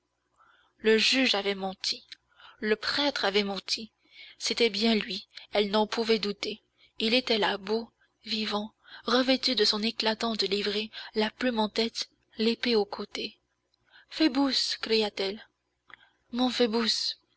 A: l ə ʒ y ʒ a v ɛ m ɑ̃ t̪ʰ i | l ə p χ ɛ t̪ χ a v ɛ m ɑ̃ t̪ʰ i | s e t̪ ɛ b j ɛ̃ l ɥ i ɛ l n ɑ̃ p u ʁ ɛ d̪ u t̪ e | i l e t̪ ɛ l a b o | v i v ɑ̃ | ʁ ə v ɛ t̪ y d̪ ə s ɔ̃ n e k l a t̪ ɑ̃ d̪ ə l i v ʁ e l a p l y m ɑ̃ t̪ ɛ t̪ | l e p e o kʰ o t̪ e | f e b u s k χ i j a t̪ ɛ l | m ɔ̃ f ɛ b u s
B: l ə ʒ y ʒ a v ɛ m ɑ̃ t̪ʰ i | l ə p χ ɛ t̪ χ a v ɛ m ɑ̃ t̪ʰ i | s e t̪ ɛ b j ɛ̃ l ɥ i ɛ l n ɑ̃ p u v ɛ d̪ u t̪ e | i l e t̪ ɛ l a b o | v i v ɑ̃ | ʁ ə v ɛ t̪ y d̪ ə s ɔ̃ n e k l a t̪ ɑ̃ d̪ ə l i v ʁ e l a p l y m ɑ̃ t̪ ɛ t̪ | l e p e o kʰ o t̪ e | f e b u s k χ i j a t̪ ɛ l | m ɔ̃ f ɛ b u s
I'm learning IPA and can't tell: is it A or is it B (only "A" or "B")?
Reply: B